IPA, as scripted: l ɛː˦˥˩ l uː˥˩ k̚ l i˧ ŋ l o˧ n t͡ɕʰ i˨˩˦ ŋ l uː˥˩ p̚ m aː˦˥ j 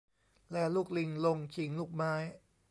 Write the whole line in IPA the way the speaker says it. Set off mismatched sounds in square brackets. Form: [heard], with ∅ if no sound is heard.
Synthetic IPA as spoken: l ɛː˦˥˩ l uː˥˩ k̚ l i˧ ŋ l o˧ [ŋ] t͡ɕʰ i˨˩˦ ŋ l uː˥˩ [k̚] m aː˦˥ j